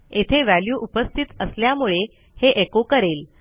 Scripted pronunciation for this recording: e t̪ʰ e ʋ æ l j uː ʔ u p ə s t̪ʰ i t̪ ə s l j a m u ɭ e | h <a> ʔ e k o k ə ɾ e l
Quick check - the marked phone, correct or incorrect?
incorrect